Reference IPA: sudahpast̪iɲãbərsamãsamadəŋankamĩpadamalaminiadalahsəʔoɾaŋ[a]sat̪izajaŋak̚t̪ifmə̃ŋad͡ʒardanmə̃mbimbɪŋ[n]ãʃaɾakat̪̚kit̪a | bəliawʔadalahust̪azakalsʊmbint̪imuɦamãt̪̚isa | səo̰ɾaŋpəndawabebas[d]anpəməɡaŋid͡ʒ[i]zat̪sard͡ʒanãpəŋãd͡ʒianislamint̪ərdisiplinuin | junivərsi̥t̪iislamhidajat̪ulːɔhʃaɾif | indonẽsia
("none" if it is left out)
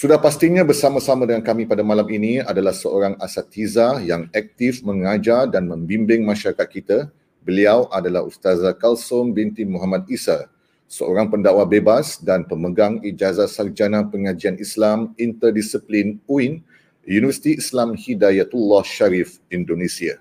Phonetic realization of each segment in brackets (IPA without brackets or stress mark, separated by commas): a, m, d, a